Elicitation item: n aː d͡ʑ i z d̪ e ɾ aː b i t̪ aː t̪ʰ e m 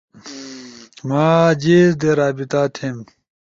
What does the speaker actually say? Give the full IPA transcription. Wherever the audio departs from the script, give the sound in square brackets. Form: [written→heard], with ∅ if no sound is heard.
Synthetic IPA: [n→m] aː d͡ʑ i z d̪ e ɾ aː b i t̪ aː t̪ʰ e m